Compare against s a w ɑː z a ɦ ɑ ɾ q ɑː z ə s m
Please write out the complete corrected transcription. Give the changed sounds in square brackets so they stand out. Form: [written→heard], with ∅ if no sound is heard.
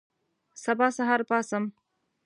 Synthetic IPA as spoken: s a [w→b] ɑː [z→s] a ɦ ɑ ɾ [q→p] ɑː [z→s] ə [s→∅] m